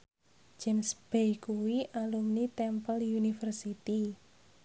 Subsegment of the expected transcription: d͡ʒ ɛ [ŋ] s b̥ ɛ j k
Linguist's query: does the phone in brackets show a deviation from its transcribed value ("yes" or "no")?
yes